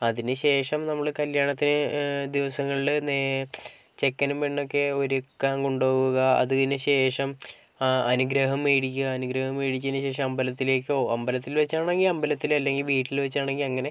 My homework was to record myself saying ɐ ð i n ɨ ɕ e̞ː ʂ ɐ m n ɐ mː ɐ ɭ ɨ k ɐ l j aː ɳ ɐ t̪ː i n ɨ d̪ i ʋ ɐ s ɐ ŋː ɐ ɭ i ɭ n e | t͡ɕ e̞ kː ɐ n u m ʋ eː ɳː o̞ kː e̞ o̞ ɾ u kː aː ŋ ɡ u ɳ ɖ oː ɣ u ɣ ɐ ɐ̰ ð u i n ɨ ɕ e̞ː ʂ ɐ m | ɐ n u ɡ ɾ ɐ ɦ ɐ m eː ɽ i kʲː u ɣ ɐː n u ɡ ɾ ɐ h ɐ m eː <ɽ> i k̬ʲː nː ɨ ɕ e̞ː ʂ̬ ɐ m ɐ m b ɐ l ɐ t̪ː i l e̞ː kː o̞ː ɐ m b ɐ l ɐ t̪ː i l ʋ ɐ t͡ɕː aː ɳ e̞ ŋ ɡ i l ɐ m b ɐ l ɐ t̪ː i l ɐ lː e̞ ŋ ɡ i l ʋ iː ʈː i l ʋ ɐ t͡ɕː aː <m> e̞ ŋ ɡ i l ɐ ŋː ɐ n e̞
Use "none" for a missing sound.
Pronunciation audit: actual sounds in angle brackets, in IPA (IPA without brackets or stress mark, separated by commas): ɽ, ɳ